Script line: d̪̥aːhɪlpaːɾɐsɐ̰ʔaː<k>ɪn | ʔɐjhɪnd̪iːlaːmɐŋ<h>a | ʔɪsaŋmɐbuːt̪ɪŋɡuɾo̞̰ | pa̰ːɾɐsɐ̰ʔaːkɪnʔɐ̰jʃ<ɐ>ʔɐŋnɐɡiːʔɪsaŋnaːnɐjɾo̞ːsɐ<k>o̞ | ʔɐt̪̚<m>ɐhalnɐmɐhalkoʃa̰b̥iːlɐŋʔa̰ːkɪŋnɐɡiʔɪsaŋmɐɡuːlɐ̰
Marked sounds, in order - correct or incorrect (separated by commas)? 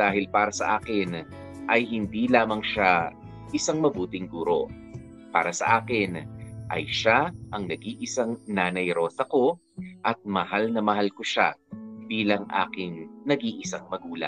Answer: correct, incorrect, incorrect, correct, correct